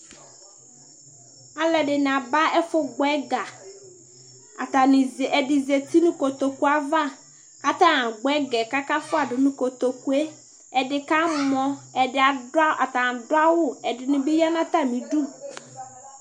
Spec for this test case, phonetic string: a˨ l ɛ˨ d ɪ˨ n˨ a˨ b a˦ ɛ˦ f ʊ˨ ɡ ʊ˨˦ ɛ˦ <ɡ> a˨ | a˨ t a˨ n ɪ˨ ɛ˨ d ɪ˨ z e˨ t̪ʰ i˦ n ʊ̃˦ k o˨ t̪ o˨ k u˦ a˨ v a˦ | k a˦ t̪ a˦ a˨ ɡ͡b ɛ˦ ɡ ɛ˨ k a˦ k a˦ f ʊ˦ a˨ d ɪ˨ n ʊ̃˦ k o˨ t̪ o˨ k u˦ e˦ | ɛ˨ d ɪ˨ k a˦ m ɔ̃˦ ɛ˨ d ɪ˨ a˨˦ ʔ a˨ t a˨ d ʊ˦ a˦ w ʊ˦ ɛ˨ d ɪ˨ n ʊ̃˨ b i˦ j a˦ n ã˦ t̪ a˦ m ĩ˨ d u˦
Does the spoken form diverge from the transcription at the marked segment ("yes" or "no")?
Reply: no